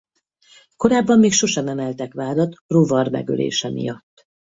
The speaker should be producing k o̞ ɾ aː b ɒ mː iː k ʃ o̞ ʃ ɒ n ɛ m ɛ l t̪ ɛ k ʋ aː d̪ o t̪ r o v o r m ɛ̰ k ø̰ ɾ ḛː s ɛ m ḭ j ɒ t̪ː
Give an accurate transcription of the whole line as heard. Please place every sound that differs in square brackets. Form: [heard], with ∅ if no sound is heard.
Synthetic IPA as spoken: k o̞ ɾ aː [bː] ɒ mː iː k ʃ o̞ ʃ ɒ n ɛ m ɛ l t̪ ɛ k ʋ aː d̪ [ɒ] t̪ r o v [ɒ] r m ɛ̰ [ɡ] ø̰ [l] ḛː [ʃ] ɛ m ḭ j ɒ t̪ː